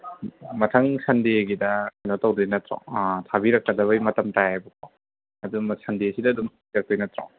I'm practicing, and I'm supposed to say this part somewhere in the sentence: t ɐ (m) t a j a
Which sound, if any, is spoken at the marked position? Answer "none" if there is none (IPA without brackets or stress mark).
m